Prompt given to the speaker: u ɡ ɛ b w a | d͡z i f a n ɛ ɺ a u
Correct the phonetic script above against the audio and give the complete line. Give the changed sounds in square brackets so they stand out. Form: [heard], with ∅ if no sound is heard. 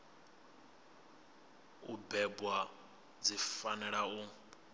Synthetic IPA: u [b] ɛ b w a | d͡z i f a n ɛ ɺ a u